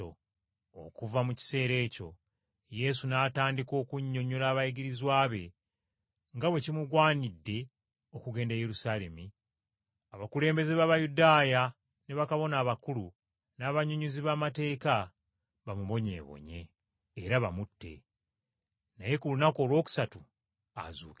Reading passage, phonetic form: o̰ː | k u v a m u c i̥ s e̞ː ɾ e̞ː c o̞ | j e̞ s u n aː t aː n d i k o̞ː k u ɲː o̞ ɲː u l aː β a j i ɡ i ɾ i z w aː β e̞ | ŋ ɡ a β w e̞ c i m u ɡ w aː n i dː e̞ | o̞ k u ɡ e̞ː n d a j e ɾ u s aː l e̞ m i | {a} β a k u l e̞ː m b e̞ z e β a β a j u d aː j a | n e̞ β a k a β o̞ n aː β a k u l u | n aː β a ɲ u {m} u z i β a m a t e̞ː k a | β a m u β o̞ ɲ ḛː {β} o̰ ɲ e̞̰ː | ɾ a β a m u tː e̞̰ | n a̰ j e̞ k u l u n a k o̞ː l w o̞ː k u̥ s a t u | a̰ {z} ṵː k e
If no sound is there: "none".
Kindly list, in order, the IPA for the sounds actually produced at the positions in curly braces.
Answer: a, ɲ, β, z

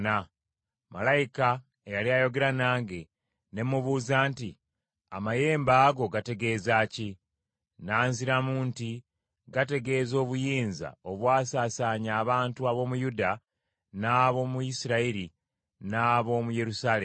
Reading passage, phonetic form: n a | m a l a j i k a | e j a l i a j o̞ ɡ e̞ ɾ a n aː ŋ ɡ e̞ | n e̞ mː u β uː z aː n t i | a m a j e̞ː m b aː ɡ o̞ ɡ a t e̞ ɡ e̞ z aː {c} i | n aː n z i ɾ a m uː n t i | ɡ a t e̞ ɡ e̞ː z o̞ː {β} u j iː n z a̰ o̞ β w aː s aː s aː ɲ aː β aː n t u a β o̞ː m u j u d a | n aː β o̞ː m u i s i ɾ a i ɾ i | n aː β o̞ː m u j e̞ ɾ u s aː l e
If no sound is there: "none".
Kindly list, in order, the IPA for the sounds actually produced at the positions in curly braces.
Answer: c, β

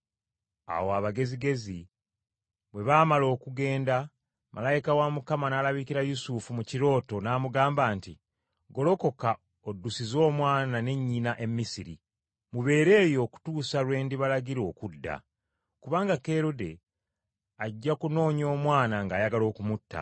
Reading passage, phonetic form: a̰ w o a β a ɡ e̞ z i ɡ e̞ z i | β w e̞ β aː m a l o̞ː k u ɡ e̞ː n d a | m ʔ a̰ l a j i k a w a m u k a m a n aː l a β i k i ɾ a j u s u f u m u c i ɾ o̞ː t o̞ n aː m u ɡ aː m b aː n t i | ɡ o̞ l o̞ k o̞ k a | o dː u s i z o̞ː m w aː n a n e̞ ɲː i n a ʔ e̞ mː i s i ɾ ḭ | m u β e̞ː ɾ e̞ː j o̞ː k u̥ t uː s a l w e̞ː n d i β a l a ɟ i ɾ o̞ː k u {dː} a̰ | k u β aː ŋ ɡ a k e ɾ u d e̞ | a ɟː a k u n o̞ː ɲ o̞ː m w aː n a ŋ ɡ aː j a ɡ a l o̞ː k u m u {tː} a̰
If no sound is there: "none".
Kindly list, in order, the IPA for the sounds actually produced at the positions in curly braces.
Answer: dː, tː

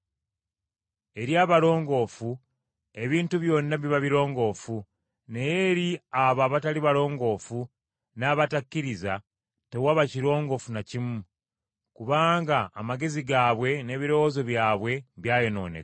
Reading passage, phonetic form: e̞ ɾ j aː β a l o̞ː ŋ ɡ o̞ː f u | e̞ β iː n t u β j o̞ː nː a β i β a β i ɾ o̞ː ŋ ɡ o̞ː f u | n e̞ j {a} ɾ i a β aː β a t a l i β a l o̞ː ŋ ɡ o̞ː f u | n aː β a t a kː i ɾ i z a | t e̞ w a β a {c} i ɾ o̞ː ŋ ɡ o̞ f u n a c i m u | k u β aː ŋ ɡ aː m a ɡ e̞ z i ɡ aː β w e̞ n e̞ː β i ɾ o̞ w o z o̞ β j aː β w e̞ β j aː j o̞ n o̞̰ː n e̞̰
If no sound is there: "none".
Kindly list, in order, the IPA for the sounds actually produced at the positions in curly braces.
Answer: e, c

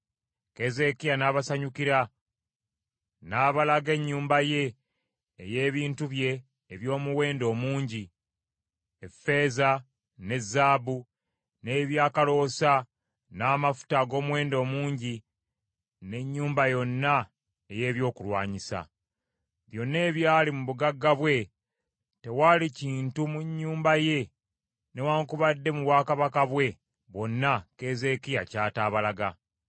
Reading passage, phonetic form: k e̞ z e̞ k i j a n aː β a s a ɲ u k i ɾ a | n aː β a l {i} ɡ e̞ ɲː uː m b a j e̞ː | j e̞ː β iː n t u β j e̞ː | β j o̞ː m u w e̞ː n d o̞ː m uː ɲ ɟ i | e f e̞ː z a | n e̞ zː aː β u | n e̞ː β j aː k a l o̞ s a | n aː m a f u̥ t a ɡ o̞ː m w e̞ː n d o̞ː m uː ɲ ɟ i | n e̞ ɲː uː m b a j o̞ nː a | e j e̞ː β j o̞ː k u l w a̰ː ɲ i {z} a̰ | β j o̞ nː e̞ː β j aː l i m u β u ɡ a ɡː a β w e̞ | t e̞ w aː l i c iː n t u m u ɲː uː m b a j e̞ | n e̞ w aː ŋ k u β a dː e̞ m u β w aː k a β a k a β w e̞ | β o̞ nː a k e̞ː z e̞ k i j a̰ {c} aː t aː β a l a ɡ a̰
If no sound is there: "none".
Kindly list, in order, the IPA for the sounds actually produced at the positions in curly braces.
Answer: a, s, c

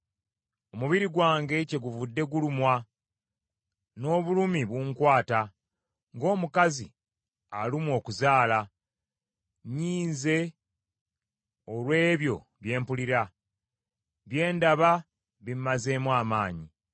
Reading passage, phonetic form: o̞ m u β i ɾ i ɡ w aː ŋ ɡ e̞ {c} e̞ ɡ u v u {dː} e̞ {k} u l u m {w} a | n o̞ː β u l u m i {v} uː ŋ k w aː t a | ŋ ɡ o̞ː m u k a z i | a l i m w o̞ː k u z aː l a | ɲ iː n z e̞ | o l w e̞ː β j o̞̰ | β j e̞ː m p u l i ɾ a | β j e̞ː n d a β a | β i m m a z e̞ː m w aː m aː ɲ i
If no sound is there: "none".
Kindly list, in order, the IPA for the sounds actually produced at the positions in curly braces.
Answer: c, dː, ɡ, w, β

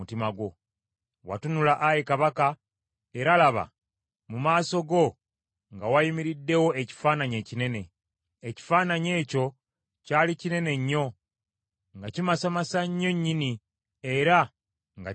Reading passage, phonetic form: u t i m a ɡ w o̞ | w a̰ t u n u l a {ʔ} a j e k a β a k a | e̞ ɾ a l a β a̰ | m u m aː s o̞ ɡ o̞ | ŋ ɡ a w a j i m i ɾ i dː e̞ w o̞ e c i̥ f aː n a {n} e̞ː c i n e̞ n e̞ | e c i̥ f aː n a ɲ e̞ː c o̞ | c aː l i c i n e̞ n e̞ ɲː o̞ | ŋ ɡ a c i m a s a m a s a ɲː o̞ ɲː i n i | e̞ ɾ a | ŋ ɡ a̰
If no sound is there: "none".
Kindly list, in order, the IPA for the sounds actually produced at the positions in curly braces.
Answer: ʔ, ɲ

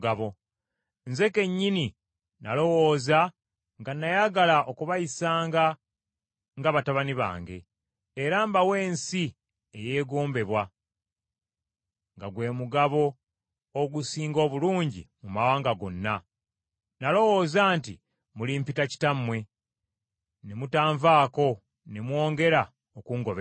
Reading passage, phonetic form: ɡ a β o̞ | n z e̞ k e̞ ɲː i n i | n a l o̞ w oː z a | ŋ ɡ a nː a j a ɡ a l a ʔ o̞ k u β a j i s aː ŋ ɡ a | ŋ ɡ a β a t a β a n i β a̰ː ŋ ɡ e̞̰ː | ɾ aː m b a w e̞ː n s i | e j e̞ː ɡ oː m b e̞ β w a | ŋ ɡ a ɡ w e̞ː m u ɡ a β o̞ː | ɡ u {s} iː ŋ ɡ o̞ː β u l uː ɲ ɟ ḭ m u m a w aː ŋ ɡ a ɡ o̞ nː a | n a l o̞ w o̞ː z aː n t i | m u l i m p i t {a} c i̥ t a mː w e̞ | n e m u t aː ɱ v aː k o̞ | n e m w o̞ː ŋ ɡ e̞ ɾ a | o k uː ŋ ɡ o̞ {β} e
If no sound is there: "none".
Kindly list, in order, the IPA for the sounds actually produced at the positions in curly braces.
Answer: s, a, β

